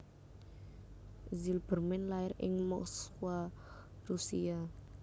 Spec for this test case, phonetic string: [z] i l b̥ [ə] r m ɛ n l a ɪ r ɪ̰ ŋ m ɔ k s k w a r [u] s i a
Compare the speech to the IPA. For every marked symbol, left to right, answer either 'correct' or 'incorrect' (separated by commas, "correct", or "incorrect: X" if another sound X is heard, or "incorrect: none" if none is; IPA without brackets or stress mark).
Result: correct, correct, correct